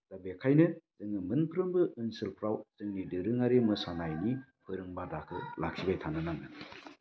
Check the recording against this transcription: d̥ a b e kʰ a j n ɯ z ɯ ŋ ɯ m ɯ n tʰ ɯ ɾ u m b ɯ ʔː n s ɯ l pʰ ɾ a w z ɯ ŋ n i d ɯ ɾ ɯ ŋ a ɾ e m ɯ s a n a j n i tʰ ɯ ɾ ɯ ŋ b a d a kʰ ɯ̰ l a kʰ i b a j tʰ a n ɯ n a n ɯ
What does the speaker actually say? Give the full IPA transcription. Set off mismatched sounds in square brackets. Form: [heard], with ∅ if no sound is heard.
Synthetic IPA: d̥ a b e kʰ a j n ɯ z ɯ ŋ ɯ m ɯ n [pʰ] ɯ ɾ [ɯ] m b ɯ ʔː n s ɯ l pʰ ɾ a w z ɯ ŋ n i d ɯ ɾ ɯ ŋ a ɾ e m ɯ s a n a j n i [pʰ] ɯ ɾ ɯ ŋ b a d a kʰ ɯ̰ l a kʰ i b a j tʰ a n ɯ n a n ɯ